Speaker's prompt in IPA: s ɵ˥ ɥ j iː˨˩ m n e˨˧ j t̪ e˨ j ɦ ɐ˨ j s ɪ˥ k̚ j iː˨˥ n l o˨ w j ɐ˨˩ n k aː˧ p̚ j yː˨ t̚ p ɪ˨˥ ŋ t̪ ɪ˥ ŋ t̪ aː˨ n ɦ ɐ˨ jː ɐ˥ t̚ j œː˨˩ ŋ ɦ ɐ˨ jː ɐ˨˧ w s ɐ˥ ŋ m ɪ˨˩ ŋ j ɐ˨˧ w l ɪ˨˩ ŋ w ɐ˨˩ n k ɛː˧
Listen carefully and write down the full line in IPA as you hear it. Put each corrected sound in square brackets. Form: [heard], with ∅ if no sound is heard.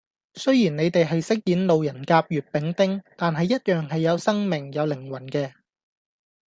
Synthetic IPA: s ɵ˥ ɥ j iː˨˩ [n] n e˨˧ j t̪ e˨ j ɦ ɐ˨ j s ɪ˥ k̚ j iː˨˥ n l o˨ w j ɐ˨˩ n k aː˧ p̚ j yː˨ t̚ p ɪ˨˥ ŋ t̪ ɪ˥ ŋ t̪ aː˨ n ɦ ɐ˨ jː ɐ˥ t̚ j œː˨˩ ŋ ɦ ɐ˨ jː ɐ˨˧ w s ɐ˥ ŋ m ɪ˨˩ ŋ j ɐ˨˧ w l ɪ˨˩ ŋ w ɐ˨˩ n k ɛː˧